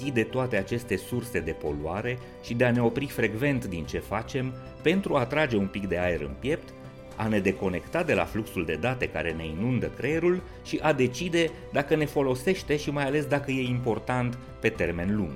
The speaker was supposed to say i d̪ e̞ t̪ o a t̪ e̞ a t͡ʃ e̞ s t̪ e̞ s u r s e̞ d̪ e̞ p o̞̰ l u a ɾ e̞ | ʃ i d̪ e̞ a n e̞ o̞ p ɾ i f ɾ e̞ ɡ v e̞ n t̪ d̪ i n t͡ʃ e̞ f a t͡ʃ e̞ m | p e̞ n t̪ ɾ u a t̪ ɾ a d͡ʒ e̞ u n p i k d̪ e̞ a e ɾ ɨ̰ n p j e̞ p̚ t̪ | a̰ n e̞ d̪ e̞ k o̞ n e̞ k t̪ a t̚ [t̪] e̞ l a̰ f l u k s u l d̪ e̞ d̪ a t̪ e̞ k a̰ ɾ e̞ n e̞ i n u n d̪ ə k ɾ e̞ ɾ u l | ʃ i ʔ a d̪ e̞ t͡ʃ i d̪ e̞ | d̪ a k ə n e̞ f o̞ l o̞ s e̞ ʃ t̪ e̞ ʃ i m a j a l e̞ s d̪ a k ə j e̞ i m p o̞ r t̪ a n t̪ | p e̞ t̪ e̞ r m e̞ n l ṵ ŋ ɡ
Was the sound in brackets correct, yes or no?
no